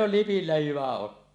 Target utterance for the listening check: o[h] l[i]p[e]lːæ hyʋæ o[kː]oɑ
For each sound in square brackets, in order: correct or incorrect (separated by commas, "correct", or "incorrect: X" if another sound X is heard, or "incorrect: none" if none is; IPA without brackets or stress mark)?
correct, correct, incorrect: i, incorrect: tː